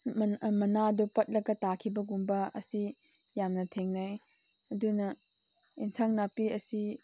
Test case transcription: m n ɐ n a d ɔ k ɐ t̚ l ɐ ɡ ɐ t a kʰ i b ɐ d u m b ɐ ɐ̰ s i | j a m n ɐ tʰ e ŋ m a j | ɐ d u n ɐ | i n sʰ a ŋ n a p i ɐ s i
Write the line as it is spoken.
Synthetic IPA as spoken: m m ɐ n a d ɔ p ɐ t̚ l ɐ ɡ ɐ t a kʰ i b ɐ ɡ u m b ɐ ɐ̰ s i | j a m n ɐ tʰ e ŋ n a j | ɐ d u n ɐ | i n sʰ a ŋ n a p i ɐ s i